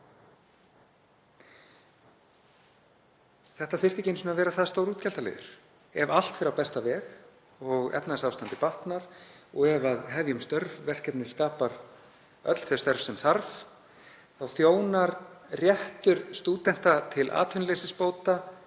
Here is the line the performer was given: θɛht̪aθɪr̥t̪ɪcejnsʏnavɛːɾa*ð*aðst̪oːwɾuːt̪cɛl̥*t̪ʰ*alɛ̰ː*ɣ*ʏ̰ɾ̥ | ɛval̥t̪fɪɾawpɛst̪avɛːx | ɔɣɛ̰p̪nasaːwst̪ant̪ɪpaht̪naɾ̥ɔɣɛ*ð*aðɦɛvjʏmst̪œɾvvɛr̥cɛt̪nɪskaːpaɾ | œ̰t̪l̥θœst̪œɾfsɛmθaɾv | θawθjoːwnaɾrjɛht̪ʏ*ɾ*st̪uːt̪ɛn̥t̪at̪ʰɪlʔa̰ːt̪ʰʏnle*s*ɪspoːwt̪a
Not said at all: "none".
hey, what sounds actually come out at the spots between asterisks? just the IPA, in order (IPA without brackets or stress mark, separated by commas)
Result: θ, t̪, ð, v, ɾ, s